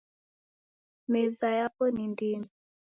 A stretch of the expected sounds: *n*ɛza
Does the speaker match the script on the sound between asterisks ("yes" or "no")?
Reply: no